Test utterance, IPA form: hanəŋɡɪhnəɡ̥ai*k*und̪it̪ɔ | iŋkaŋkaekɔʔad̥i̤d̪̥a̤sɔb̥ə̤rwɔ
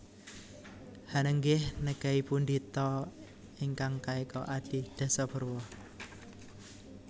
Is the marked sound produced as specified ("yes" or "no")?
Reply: no